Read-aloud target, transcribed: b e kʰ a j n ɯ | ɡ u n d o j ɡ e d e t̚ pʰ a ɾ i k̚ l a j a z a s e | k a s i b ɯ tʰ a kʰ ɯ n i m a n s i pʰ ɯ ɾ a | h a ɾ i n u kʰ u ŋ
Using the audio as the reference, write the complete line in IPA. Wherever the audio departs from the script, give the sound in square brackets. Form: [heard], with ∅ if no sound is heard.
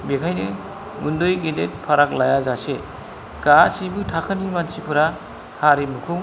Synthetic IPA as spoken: b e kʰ a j n ɯ | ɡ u n d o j ɡ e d e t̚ pʰ a ɾ [a] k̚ l a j a z a s e | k a s i b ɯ tʰ a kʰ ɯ n i m a n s i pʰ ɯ ɾ a | h a ɾ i [m] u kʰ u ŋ